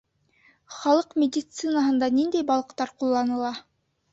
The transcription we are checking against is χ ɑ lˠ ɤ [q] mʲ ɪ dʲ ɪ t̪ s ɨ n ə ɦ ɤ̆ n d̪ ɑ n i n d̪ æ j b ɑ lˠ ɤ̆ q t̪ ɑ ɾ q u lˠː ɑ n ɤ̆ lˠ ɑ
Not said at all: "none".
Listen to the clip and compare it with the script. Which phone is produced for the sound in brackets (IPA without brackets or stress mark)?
q